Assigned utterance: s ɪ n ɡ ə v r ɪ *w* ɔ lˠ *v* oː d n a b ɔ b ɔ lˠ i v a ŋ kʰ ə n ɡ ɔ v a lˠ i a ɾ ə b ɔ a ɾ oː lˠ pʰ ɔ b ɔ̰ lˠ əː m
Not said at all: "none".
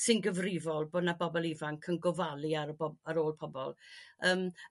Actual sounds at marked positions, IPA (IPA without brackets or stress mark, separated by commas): v, b